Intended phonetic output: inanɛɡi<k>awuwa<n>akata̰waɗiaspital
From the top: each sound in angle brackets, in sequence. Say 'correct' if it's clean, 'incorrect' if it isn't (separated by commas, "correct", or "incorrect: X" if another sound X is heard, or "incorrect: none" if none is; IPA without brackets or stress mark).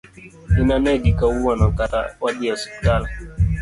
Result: correct, correct